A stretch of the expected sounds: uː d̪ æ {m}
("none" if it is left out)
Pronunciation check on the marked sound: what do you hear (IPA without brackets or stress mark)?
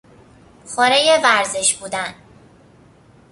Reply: n